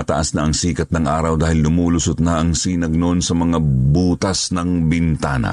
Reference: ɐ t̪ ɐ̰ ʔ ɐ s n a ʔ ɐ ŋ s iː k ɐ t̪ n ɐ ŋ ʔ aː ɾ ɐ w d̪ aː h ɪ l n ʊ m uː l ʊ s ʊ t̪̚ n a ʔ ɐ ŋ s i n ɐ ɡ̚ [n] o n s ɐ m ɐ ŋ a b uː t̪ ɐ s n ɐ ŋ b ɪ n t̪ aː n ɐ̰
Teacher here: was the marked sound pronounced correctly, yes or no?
yes